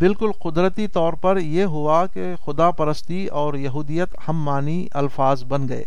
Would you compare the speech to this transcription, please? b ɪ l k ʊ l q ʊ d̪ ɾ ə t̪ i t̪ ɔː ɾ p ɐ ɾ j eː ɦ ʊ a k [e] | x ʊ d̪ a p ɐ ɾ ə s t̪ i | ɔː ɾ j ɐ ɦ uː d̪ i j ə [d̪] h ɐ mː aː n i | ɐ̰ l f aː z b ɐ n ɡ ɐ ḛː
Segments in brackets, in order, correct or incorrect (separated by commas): correct, incorrect